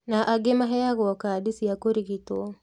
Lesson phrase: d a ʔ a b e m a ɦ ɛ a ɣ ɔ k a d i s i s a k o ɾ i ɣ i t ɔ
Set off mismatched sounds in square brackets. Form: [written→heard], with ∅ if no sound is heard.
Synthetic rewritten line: [d→n] a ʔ a [b→ɡ] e m a ɦ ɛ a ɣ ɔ k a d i s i [s→∅] a k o ɾ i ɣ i t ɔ

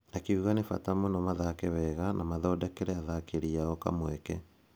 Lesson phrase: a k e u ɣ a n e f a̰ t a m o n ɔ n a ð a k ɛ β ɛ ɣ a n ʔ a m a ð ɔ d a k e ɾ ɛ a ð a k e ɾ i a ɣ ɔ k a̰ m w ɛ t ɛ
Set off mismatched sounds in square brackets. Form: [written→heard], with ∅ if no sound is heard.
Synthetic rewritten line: a k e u ɣ a n e f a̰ t a m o n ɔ [n→m] a ð a k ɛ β ɛ ɣ a n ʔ a m a ð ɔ d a k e ɾ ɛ a ð a k e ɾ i a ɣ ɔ k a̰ m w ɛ [t→k] ɛ

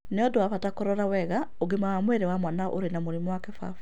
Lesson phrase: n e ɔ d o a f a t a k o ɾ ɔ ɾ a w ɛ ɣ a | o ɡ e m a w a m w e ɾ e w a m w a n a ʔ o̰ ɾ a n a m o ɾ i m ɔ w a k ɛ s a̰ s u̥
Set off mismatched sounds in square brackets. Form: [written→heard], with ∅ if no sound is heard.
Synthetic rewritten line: n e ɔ d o a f a t a k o ɾ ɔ ɾ a w ɛ ɣ a | o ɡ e m a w a m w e ɾ e w a m w a n a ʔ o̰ ɾ [a→e] n a m o ɾ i m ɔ w a k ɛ [s→f] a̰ [s→f] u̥

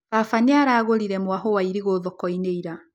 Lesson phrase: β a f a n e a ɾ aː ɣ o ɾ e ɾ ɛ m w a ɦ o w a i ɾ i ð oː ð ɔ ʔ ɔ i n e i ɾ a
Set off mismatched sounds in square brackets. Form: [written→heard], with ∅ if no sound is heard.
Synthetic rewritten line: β a f a n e a ɾ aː ɣ o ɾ [e→i] ɾ ɛ m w a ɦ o w a i ɾ i [ð→ɣ] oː ð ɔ [ʔ→k] ɔ i n e i ɾ a

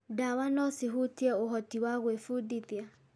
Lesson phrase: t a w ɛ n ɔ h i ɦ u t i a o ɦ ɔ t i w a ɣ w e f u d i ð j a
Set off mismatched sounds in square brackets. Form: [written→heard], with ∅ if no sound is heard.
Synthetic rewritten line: [t→d] a w [ɛ→a] n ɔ [h→s] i ɦ u t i [a→ɛ] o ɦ ɔ t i w a ɣ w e f u d i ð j a

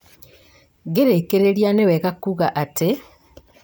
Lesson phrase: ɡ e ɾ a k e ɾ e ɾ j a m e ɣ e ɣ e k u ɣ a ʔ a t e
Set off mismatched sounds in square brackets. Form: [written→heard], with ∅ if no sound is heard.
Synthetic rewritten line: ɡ e ɾ [a→e] k e ɾ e ɾ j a [m→n] e [ɣ→w] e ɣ [e→a] k u ɣ a ʔ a t e

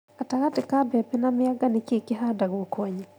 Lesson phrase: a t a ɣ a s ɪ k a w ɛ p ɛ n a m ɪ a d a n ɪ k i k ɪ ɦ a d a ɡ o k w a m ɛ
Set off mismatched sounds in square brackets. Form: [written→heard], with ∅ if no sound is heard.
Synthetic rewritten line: a t a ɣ a [s→t] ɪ k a [w→b] ɛ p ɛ n a m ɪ a [d→ɡ] a n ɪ k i k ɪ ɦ a d a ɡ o k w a [m→ɲ] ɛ

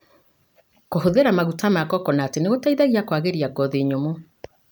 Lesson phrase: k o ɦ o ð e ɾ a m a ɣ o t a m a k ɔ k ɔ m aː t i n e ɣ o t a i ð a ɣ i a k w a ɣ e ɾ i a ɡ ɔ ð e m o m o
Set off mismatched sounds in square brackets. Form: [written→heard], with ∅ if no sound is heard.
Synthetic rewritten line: k o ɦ o ð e ɾ a m a ɣ [o→u] t a m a k ɔ k ɔ [m→n] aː t [i→e] n e ɣ o t a i ð a ɣ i a k w a ɣ e ɾ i a ɡ ɔ ð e [m→ɲ] o m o

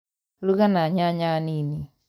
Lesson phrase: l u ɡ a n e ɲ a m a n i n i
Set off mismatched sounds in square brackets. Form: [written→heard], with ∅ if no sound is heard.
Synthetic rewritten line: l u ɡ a n [e→a] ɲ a [m→ɲ] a n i n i

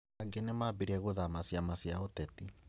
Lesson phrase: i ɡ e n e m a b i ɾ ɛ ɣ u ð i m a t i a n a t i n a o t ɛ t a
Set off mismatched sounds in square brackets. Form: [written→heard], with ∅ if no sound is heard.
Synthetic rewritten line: [i→a] ɡ e n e m a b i ɾ ɛ ɣ [u→o] ð [i→a] m a [t→s] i a [n→m] a [t→s] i [n→∅] a o t ɛ t [a→i]

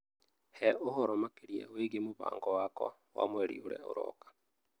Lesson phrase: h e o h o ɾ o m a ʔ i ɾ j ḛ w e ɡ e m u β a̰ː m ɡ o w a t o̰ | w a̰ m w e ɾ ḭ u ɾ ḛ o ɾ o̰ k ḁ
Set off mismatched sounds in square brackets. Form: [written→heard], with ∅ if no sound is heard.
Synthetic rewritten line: h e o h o ɾ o m a [ʔ→k] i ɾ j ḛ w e ɡ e m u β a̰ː [m→ŋ] ɡ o w a [t→k] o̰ | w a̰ m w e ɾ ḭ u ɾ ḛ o ɾ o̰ k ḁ

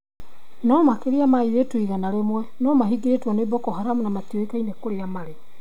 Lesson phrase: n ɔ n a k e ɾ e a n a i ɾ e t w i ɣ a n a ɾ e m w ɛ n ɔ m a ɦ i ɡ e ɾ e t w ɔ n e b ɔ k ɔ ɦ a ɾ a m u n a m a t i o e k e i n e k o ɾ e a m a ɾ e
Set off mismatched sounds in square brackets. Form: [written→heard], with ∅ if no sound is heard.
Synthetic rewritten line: n ɔ [n→m] a k e ɾ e a [n→m] a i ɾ e t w i ɣ a n a ɾ e m w ɛ n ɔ m a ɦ i ɡ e ɾ e t w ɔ n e b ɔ k ɔ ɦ a ɾ a m u n a m a t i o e k [e→a] i n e k o ɾ e a m a ɾ e

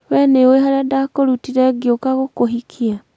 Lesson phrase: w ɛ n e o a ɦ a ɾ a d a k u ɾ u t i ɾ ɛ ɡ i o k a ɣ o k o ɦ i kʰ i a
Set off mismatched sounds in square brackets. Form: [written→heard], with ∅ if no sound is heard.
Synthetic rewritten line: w ɛ n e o [a→e] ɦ a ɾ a d a k [u→o] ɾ u t i ɾ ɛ ɡ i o k a ɣ o k o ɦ i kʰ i a

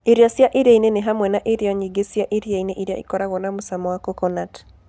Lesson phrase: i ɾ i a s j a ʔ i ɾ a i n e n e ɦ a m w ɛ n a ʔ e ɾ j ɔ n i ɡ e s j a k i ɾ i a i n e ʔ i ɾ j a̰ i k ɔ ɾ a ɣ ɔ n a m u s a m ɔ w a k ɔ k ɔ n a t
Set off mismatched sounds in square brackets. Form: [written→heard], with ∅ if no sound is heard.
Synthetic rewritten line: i ɾ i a s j a ʔ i ɾ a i n e n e ɦ a m w ɛ n a ʔ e ɾ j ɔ [n→ɲ] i ɡ e s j a [k→ʔ] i ɾ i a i n e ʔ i ɾ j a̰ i k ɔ ɾ a ɣ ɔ n a m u s a m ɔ w a k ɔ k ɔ n a t

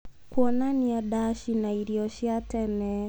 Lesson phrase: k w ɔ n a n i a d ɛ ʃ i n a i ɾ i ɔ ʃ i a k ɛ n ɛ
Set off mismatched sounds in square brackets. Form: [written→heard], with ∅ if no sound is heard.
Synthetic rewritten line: k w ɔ n a n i a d [ɛ→a] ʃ i n a i ɾ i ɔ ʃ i a [k→t] ɛ n ɛ

